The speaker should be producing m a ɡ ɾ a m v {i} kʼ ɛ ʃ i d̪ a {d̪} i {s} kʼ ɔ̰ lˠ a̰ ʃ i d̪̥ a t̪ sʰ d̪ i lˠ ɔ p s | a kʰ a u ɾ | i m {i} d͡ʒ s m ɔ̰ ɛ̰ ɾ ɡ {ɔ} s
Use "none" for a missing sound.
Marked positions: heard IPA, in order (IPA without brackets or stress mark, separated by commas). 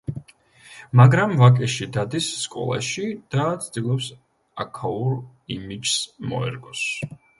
a, d̪, sː, i, ɔ